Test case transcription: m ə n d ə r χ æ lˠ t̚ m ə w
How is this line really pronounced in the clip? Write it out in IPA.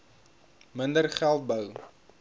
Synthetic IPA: m ə n d ə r χ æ lˠ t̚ b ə w